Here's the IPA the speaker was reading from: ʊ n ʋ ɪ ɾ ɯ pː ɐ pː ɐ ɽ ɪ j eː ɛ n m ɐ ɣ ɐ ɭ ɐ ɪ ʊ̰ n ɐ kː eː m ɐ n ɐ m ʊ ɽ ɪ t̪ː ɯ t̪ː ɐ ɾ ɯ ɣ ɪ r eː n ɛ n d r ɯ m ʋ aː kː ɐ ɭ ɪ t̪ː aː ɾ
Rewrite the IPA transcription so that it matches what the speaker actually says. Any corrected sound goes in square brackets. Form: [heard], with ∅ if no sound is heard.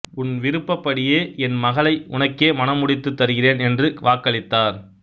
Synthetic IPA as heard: ʊ n ʋ ɪ ɾ ɯ pː ɐ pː ɐ ɽ ɪ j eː ɛ n m ɐ ɣ ɐ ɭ ɐ ɪ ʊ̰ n ɐ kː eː m ɐ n ɐ m ʊ ɽ ɪ t̪ː ɯ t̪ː ɐ ɾ ɯ ɣ ɪ r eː n ɛ n d r ɯ [∅] ʋ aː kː ɐ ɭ ɪ t̪ː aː ɾ